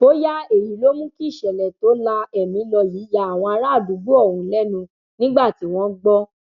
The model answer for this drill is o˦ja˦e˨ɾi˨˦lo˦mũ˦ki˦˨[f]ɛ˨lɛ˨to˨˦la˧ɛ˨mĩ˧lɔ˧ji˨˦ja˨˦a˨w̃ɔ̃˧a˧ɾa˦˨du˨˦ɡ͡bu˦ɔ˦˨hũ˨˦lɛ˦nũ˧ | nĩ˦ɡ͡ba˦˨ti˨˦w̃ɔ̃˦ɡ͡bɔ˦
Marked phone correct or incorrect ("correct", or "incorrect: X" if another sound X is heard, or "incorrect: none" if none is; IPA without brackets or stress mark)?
incorrect: ʃ